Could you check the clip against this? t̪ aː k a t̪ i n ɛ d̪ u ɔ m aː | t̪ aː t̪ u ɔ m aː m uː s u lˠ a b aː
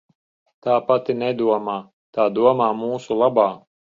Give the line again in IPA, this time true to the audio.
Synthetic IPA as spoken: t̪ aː p a t̪ i n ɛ d̪ u ɔ m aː | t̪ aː d̪ u ɔ m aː m uː s u lˠ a b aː